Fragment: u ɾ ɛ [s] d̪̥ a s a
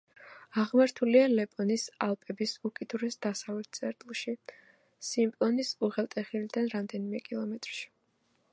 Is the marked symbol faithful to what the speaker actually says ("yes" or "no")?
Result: yes